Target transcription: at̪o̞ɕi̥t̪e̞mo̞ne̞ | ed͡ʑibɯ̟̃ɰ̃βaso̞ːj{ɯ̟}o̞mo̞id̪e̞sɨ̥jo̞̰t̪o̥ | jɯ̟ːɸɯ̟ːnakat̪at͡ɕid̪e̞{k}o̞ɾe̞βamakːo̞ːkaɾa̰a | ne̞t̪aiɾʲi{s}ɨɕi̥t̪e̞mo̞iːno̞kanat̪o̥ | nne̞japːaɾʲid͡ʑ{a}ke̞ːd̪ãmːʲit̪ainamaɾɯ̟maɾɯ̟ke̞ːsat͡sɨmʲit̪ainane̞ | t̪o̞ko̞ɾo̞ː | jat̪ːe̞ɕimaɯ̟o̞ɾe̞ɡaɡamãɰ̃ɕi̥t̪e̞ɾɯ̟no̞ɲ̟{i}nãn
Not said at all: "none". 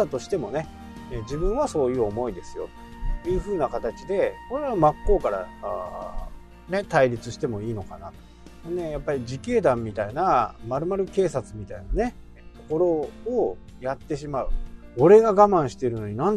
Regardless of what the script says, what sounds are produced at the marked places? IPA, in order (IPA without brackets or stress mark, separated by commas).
ɯ̟ː, k, t͡s, i, i